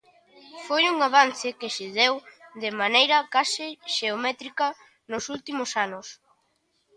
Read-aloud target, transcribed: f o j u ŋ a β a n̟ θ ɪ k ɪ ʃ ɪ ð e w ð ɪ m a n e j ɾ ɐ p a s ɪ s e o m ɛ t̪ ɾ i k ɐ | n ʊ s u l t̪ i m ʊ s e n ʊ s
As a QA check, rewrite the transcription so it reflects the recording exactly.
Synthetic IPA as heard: f o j u ŋ a β a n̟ θ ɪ k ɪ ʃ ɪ ð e w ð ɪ m a n e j ɾ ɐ k a s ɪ ʃ e o m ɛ t̪ ɾ i k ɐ | n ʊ s u l t̪ i m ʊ s a n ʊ s